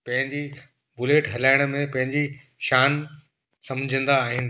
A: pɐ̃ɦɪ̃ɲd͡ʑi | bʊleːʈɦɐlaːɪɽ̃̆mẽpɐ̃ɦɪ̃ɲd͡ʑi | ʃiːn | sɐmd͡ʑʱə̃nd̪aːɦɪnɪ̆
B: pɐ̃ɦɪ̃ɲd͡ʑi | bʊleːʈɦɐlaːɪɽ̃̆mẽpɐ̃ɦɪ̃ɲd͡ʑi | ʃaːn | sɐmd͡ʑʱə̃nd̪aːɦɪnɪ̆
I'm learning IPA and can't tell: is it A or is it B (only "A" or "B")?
B